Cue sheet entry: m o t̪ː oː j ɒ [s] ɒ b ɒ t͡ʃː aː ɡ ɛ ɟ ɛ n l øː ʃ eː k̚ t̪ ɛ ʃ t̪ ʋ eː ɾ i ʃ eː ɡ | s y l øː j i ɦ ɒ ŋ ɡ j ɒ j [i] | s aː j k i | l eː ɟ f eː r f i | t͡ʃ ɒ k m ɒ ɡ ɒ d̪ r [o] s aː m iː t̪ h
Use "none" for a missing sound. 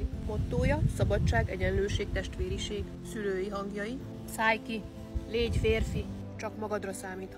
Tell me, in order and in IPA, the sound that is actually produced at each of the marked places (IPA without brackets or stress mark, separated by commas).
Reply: s, i, ɒ